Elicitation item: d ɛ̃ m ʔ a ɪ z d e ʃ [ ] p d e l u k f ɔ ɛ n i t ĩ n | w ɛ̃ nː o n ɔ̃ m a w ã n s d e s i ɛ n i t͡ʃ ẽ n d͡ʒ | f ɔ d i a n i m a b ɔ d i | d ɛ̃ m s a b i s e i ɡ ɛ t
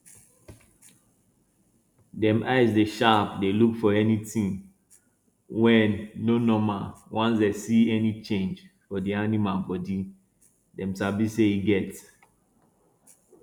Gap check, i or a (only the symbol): a